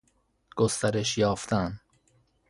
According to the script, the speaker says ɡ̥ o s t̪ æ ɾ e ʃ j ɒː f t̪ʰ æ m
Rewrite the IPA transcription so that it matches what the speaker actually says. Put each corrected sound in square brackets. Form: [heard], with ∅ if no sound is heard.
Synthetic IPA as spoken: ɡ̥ o s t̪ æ ɾ e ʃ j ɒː f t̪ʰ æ [n]